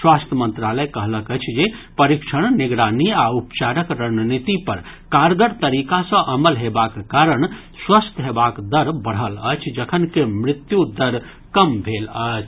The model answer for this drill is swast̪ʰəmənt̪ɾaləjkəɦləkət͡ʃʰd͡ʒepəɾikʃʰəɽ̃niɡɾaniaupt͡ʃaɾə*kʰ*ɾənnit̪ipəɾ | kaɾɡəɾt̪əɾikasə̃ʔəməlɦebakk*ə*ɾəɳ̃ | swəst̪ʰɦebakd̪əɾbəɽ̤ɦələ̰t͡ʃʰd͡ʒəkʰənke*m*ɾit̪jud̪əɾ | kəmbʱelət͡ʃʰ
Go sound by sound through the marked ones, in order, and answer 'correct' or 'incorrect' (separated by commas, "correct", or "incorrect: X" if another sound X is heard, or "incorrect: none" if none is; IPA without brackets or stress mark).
incorrect: k, incorrect: a, correct